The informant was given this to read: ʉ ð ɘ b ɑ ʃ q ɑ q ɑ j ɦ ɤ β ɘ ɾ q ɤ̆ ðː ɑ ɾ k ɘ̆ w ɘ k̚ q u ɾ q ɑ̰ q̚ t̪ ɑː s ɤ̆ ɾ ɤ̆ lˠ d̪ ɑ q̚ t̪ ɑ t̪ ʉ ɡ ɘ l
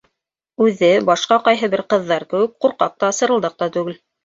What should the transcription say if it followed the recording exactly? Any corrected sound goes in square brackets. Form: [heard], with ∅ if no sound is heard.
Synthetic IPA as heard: ʉ ð ɘ b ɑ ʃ q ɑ q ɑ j ɦ ɤ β ɘ ɾ q ɤ̆ ðː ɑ ɾ k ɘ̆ w ɘ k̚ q u ɾ q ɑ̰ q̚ t̪ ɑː s ɤ̆ ɾ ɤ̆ lˠ d̪ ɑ q̚ t̪ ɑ t̪ ʉ ɡ ɘ l